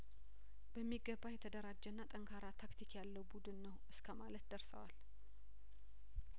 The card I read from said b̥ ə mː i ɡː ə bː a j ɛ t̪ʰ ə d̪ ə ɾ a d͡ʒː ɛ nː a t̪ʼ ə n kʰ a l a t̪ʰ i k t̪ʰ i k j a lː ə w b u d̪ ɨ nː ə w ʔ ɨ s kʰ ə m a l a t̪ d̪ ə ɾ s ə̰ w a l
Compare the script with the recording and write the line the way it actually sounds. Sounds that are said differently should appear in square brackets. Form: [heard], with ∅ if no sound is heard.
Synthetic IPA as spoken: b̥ ə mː i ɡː ə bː a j ɛ t̪ʰ ə d̪ ə ɾ a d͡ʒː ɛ nː a t̪ʼ ə [ŋ] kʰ a [ɾ] a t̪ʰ [a] k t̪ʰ i k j a lː ə w b u d̪ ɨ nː ə w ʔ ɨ s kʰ ə m a l [ə] t̪ d̪ ə ɾ s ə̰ w a l